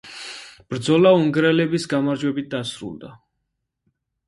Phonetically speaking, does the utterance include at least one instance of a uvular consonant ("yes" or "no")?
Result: no